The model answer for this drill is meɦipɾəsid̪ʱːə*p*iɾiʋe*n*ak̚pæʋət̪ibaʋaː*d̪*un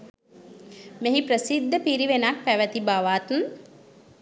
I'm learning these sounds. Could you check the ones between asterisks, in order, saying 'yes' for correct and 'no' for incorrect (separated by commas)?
yes, yes, no